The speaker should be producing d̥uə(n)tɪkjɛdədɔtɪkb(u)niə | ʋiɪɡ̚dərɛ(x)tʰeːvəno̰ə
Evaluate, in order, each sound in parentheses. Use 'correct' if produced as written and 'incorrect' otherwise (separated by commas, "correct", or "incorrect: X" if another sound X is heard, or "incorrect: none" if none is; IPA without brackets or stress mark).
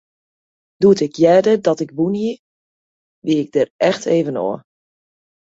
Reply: incorrect: none, correct, correct